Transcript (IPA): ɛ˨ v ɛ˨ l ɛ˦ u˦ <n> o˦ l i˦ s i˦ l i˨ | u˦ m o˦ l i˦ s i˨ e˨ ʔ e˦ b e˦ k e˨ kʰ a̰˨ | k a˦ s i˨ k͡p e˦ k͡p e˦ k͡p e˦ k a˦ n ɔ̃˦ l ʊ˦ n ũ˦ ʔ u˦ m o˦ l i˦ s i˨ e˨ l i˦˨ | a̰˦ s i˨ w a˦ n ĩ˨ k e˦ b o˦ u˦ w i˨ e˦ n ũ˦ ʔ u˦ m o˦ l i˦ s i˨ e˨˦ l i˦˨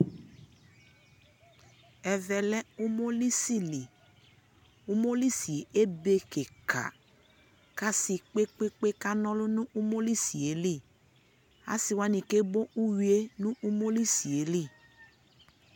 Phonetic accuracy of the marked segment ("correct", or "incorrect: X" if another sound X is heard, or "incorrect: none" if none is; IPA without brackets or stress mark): incorrect: m